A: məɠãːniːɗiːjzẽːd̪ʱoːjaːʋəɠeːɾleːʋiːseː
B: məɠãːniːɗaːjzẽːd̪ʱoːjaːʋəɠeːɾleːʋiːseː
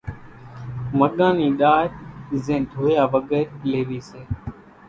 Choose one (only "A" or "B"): B